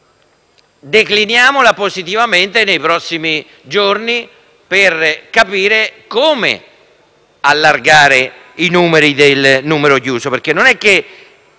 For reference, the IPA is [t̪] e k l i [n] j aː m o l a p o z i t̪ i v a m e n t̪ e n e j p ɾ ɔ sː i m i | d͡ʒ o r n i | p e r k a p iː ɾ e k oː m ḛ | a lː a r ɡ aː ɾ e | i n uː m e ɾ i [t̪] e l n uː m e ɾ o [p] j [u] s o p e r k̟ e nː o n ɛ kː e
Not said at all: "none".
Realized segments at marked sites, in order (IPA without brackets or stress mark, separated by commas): d̪, n, d̪, k, uː